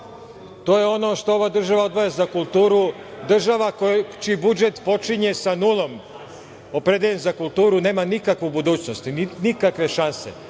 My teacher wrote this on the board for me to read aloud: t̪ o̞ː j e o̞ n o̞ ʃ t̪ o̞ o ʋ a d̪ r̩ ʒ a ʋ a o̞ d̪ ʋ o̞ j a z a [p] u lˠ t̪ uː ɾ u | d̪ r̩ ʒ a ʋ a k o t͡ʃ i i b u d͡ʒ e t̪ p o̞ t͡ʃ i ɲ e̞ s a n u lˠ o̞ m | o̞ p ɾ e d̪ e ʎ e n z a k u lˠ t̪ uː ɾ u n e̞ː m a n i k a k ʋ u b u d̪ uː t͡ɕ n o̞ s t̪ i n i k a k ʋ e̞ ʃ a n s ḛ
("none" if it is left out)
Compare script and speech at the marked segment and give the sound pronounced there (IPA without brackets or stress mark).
k